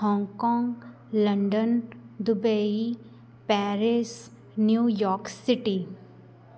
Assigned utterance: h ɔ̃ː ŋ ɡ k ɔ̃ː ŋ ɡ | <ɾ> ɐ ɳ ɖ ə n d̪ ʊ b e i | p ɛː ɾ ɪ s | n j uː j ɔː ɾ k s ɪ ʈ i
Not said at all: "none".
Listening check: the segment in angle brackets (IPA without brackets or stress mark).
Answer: l